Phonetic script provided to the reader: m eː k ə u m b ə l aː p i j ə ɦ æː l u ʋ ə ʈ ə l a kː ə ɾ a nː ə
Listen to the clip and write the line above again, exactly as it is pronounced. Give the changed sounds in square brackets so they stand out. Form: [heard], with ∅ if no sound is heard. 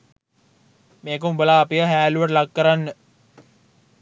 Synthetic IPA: m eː k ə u m b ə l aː p i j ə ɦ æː l u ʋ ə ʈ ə l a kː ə ɾ a nː ə